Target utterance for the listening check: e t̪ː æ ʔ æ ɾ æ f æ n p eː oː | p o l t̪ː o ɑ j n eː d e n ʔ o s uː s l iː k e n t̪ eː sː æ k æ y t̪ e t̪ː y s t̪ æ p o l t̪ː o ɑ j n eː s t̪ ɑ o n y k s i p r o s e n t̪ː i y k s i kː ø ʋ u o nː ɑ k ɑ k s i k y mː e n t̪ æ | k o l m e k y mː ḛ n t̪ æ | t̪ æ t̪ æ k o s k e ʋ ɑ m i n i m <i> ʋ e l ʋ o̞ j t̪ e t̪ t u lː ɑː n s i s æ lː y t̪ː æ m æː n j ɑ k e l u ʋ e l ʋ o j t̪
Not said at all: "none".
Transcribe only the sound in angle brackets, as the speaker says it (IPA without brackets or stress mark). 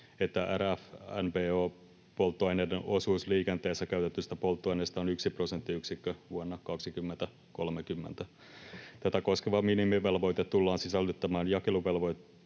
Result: i